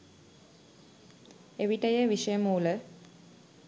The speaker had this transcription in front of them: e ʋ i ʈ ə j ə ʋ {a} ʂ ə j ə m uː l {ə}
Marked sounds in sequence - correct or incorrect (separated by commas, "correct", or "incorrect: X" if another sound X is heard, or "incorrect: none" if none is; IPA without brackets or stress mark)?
incorrect: i, correct